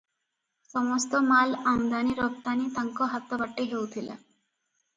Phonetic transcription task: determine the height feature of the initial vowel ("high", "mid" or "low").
mid